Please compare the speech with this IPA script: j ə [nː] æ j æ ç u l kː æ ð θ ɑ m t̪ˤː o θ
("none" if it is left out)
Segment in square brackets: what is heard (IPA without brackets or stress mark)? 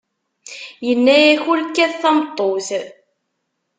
nː